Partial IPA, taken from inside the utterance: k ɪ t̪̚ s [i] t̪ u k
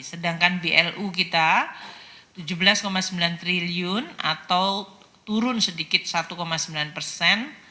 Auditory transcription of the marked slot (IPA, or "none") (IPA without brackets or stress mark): a